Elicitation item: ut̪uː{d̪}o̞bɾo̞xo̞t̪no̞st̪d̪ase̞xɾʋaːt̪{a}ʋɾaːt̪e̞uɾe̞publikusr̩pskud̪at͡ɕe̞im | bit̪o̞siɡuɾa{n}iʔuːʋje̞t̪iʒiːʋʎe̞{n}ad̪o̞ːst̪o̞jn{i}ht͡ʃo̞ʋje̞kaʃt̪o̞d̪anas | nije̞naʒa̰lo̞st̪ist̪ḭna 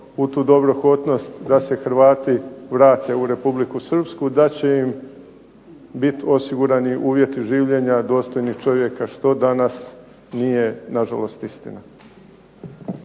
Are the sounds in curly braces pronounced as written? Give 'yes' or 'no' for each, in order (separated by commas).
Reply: yes, no, yes, no, yes